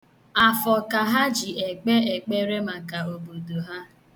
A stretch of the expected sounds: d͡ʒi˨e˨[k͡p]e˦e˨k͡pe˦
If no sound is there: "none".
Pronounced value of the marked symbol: k͡p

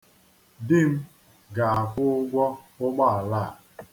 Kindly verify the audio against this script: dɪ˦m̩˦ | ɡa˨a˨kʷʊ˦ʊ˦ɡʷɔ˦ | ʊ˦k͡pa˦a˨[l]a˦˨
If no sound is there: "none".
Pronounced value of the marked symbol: l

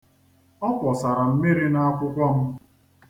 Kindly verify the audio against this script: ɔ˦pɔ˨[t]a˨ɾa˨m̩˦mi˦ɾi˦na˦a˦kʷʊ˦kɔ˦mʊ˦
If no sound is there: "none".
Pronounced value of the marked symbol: s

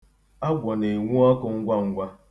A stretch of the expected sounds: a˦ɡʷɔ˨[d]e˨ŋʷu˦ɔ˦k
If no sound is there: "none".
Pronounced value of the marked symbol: n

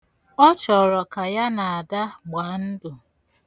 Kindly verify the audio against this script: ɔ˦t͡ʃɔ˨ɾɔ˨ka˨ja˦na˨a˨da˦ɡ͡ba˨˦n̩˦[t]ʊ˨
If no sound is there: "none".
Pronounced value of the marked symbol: d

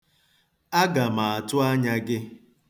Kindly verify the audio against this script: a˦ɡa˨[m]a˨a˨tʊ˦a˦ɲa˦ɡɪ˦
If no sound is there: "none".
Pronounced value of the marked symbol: m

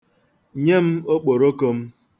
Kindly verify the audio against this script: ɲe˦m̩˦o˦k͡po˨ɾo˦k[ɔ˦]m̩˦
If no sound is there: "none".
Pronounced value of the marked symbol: o˦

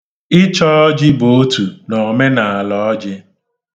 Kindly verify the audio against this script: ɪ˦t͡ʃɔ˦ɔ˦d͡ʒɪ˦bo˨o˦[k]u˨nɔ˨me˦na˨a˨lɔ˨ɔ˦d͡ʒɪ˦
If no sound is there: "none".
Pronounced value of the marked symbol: t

